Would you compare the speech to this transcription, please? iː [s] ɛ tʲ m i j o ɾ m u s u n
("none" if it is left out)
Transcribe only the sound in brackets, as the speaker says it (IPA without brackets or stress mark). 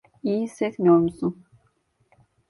s